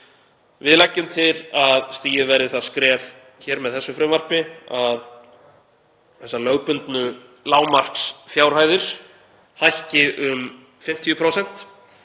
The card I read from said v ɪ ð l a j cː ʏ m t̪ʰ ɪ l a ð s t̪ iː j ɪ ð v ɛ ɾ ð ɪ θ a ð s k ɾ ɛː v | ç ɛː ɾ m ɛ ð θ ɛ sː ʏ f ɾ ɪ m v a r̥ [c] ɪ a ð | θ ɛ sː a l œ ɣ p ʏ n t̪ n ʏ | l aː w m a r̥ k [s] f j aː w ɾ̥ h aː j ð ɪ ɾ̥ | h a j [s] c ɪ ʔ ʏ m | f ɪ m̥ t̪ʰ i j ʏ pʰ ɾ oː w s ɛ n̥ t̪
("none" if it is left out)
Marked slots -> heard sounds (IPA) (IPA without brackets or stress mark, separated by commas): p, s, h